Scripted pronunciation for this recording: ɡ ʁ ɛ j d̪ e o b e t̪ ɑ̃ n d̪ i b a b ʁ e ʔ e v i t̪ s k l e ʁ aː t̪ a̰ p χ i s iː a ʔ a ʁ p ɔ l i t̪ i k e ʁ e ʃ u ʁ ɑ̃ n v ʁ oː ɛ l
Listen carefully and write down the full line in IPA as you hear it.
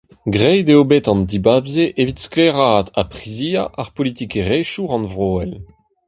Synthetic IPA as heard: ɡ ʁ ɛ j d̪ e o b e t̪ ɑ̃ n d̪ i b a b z e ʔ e v i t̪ s k l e ʁ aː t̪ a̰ p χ i z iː a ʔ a ʁ p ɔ l i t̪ i k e ʁ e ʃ u ʁ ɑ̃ n v ʁ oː ɛ l